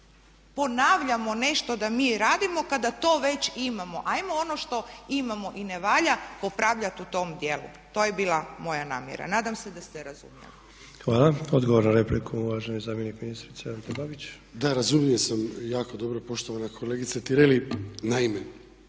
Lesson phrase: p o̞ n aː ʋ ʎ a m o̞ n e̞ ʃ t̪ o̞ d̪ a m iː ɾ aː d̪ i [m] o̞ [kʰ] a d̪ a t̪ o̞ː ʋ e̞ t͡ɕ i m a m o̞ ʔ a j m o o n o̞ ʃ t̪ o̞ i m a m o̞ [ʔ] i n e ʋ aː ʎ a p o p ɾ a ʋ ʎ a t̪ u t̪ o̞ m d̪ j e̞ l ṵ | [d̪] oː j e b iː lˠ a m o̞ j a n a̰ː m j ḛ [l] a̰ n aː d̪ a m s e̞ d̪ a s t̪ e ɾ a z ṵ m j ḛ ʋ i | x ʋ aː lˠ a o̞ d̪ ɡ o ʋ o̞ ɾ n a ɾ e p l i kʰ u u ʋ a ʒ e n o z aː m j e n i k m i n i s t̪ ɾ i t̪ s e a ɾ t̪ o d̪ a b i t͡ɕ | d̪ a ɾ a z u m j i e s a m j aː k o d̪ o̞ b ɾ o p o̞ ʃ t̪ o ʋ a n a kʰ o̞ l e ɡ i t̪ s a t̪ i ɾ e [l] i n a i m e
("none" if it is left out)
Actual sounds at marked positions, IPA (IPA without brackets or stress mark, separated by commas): m, k, ʔ, t̪, ɾ, l